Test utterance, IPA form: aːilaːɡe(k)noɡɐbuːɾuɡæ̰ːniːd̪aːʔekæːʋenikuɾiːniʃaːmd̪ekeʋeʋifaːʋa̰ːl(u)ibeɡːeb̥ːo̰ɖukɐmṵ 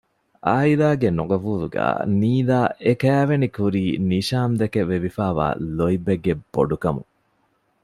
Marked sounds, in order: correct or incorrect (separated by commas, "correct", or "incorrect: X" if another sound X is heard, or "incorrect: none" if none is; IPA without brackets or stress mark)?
incorrect: none, incorrect: o